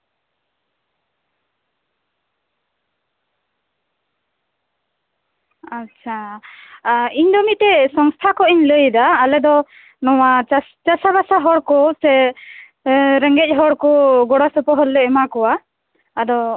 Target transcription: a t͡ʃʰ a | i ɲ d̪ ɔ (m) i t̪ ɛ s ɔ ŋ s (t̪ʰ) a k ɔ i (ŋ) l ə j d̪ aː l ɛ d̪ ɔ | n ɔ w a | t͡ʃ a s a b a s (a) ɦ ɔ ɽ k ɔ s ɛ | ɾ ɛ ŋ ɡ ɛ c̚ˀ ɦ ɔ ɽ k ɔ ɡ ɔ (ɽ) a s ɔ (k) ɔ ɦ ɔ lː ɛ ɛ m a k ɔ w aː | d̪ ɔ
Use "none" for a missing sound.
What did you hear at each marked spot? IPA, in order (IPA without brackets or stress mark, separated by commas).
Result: m, t̪ʰ, ɲ, a, ɽ, p